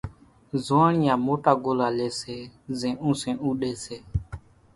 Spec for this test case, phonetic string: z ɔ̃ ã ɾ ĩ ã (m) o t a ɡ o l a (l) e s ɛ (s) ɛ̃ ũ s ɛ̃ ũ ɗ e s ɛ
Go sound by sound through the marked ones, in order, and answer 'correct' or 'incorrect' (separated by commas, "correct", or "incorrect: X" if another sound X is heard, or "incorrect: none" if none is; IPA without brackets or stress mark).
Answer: correct, correct, incorrect: z